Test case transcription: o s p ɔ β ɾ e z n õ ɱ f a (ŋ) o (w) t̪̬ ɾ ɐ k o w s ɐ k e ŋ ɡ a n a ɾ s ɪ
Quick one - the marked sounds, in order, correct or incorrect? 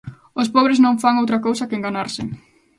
correct, correct

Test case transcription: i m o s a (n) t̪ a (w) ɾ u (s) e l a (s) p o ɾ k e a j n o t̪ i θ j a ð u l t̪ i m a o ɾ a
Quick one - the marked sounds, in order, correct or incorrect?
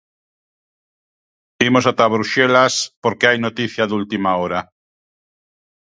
incorrect, incorrect, incorrect, correct

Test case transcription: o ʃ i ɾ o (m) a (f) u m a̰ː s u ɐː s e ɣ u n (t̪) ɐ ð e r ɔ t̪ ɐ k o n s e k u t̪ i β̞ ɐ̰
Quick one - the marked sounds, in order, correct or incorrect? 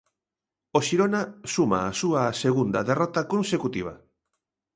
incorrect, incorrect, incorrect

